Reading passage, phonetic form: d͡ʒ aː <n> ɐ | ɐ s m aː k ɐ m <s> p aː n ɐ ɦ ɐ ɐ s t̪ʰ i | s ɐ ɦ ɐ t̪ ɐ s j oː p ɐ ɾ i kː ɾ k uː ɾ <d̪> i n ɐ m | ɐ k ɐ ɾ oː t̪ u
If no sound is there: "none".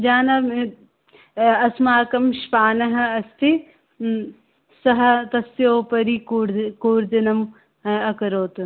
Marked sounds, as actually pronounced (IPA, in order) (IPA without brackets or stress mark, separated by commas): n, ʃ, d̪